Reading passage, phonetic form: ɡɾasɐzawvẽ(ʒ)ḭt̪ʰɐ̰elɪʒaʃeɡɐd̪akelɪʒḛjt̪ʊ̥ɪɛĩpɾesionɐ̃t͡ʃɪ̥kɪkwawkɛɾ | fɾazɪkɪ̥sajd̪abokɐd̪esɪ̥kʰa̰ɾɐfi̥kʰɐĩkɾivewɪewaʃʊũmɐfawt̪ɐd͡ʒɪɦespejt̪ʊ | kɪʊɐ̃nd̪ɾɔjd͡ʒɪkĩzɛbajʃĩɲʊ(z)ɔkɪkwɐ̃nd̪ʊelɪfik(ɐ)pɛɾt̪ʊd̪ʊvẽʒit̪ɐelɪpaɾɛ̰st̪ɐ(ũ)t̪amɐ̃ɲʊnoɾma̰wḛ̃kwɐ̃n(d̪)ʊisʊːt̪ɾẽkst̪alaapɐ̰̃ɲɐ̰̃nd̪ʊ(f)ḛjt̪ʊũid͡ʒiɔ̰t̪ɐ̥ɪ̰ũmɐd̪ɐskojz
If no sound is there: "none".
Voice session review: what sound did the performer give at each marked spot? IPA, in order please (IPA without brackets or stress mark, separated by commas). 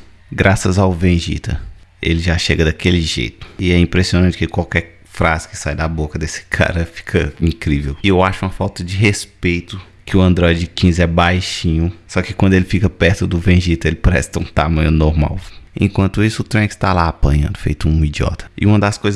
ʒ, s, ɐ, ũ, t̪, f